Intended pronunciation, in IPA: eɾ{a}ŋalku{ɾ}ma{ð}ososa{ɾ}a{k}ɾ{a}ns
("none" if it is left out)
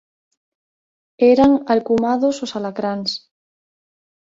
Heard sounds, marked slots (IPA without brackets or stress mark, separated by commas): a, none, ð, l, k, a